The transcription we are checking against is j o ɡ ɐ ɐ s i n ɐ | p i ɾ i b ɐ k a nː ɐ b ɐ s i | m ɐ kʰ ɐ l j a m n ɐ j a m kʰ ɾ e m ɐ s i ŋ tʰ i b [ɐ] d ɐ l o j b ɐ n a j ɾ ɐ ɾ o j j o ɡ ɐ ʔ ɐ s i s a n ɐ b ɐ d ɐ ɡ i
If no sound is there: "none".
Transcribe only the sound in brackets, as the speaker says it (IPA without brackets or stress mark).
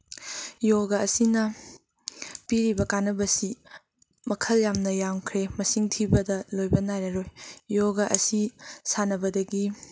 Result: ɐ